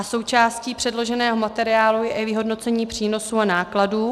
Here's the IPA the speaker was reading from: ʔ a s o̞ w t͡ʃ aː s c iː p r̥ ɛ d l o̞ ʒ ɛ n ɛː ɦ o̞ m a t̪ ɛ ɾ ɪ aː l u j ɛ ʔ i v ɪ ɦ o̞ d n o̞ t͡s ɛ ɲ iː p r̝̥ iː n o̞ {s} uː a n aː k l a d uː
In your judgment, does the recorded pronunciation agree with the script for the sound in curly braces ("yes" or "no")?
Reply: yes